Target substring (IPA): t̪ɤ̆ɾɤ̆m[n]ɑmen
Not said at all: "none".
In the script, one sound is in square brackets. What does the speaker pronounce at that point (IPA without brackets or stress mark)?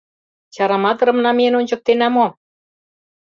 n